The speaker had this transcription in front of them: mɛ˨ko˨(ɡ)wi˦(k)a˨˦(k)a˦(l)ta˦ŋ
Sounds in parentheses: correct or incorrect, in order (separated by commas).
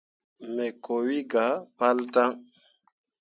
incorrect, incorrect, incorrect, correct